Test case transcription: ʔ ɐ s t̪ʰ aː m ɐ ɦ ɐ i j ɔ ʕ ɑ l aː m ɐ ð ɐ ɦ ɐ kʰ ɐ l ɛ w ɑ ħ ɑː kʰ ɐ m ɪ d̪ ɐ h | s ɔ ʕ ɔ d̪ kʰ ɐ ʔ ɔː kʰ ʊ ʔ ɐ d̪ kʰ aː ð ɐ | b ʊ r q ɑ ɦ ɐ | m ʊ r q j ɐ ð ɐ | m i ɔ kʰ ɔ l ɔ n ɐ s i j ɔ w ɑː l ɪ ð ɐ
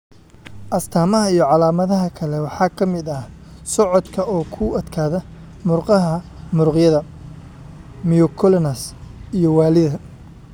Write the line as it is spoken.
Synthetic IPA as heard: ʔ ɐ s t̪ʰ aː m ɐ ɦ ɐ i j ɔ ʕ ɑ l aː m ɐ ð ɐ ɦ ɐ kʰ ɐ l ɛ w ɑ ħ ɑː kʰ ɐ m ɪ d̪ ɐ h | s ɔ ʕ ɔ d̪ kʰ ɐ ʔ ɔː kʰ ʊ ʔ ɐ d̪ kʰ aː ð ɐ | m ʊ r q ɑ ɦ ɐ | m ʊ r q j ɐ ð ɐ | m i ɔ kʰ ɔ l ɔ n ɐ s i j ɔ w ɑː l ɪ ð ɐ